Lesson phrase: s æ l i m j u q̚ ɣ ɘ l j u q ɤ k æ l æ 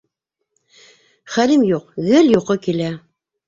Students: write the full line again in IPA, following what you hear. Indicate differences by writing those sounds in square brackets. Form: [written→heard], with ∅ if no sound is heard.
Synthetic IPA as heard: [s→χ] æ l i m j u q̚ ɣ ɘ l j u q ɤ k [æ→i] l æ

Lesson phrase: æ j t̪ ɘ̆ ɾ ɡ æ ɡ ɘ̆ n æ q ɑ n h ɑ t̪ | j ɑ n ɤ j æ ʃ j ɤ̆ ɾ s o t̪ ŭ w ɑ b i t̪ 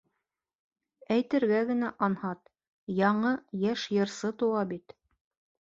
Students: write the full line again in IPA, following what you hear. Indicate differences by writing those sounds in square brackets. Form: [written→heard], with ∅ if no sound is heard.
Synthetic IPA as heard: æ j t̪ ɘ̆ ɾ ɡ æ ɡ ɘ̆ n æ [q→ʔ] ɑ n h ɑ t̪ | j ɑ [n→ɴ] ɤ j æ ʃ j ɤ̆ ɾ s [o→ɤ] t̪ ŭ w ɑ b i t̪

